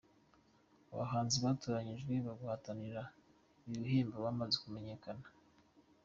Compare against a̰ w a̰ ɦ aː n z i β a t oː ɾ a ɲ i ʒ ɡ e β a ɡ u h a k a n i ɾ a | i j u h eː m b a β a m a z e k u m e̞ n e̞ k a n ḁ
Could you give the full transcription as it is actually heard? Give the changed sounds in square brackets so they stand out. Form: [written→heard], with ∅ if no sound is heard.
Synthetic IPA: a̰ [w→β] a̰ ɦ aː n z i β a t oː ɾ a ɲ i ʒ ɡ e β a ɡ u h a [k→t] a n i ɾ a | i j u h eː m b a β a m a z e k u m e̞ [n→ɲ] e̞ k a n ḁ